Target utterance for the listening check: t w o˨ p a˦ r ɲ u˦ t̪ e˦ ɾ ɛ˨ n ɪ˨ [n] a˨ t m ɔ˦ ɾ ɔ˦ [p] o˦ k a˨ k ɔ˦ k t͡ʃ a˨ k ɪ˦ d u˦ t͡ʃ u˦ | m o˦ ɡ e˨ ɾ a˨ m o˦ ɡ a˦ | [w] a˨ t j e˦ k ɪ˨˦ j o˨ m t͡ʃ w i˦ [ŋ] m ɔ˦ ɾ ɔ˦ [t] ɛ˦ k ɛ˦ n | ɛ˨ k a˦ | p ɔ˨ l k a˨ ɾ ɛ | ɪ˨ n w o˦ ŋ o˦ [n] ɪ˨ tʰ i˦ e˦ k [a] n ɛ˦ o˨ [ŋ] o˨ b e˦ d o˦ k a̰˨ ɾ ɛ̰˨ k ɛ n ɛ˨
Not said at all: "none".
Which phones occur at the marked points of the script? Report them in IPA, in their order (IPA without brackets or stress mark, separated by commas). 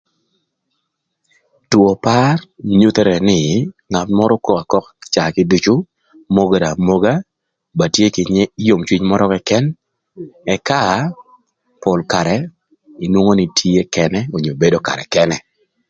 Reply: ŋ, k, b, ɲ, k, n, ɛ, ɲ